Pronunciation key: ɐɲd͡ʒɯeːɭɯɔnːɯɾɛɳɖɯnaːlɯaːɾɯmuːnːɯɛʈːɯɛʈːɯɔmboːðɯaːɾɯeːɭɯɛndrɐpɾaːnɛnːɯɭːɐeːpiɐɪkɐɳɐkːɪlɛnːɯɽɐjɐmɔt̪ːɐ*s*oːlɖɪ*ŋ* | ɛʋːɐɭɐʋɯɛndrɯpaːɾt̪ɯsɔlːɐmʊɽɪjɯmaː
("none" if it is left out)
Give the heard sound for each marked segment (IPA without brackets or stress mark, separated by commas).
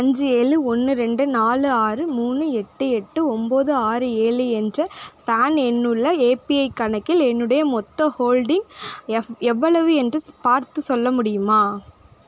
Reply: h, ŋ